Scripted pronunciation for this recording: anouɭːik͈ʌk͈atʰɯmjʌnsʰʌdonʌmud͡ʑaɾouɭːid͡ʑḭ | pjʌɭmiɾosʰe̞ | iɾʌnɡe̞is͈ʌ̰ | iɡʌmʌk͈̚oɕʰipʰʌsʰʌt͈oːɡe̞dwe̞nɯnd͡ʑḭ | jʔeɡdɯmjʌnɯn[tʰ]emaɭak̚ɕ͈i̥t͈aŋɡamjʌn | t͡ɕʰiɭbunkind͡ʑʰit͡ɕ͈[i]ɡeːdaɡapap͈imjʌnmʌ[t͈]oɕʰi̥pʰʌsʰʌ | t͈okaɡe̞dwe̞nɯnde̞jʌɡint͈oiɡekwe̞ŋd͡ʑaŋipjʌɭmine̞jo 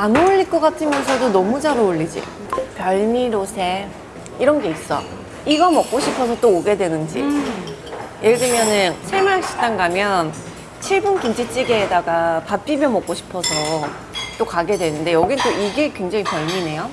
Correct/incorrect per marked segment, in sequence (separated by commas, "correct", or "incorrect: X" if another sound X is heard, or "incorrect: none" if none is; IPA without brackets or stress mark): incorrect: sʰ, correct, incorrect: k͈